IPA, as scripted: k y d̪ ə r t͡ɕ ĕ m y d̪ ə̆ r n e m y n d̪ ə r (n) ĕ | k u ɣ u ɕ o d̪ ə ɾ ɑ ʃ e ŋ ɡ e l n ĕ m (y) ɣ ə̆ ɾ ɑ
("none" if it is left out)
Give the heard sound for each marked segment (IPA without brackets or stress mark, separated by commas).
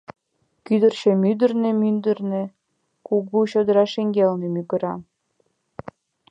n, y